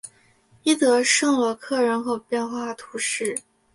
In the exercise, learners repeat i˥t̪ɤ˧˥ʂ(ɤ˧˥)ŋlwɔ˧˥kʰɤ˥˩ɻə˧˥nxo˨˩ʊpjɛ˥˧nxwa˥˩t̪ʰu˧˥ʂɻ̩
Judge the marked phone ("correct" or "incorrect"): incorrect